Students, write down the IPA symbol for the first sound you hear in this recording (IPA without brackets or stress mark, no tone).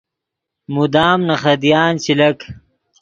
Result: m